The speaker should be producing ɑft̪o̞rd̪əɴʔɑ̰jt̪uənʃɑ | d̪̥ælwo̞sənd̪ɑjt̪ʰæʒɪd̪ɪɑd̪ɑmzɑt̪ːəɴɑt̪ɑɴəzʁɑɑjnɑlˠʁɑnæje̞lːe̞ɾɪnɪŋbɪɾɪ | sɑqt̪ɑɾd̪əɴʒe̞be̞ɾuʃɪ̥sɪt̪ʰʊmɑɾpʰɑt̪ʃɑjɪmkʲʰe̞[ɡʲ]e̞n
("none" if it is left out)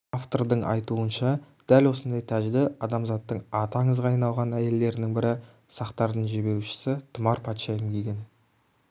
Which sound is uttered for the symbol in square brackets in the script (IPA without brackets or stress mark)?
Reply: ɡʲ